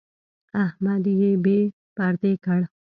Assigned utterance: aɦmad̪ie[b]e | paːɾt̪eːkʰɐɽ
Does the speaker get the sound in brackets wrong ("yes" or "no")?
no